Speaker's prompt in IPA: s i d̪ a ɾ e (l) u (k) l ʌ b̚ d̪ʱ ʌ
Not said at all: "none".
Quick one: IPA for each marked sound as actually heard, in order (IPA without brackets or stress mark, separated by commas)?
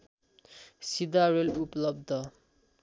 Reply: l, p